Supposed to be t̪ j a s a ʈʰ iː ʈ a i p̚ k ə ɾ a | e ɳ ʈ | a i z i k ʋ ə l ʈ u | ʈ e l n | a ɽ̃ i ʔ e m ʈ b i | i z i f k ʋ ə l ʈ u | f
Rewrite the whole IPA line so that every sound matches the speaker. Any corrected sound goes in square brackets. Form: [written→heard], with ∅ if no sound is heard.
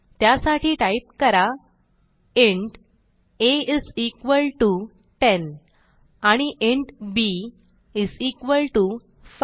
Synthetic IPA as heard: t̪ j a s a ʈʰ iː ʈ a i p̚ k ə ɾ a | e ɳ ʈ | [a→e] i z i k ʋ ə l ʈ u | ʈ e [l→∅] n | a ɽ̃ i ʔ e [m→ɳ] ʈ b i | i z i [f→∅] k ʋ ə l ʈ u | f